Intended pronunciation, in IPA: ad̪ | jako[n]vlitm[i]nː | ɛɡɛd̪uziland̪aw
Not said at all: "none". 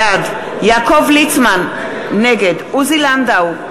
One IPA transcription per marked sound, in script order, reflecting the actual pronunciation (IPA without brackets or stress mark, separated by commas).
none, a